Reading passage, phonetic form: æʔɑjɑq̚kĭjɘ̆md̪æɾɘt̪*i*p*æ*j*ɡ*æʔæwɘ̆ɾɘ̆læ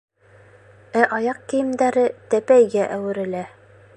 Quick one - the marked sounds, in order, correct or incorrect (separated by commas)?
incorrect, correct, correct